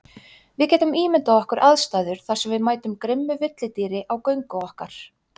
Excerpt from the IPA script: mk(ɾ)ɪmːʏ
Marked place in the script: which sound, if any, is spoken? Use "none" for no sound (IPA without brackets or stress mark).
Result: ɾ